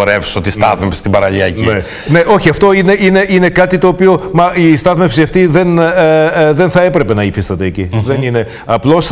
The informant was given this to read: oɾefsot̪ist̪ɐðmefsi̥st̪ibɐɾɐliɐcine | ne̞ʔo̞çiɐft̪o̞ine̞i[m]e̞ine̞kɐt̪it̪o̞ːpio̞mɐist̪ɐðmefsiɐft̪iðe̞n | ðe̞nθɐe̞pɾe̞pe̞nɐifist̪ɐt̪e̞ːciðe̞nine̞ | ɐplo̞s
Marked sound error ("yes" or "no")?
yes